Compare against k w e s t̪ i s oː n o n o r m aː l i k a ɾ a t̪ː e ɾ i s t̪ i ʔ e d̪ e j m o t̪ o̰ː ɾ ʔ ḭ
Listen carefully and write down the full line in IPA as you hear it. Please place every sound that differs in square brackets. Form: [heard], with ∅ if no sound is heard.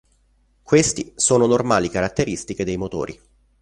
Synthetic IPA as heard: k w e s t̪ i s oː n o n o r m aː l i k a ɾ a t̪ː e ɾ i s t̪ i [k] e d̪ e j m o t̪ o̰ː ɾ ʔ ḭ